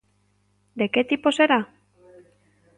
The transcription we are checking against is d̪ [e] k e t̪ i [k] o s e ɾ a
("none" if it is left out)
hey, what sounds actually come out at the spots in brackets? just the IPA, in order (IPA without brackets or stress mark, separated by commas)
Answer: e, p